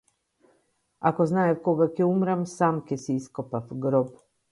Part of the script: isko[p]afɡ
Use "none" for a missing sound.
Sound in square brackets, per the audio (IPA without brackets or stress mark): p